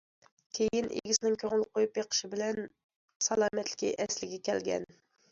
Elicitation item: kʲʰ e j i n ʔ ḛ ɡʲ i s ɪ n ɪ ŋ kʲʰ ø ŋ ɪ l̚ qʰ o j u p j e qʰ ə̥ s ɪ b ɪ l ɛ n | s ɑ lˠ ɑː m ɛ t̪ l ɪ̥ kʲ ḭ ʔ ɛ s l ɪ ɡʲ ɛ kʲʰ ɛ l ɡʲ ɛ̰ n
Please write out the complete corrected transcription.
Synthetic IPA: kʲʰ e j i n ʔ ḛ ɡʲ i s ɪ n ɪ ŋ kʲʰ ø ŋ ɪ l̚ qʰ o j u p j e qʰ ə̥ ʃ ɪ b ɪ l ɛ n | s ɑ lˠ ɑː m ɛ t̪ l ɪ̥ kʲ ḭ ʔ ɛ s l ɪ ɡʲ ɛ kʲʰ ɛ l ɡʲ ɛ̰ n